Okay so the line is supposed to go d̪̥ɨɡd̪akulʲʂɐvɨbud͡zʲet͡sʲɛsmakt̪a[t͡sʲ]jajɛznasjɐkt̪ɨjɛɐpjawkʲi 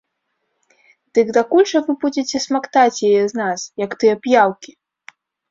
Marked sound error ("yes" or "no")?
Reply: no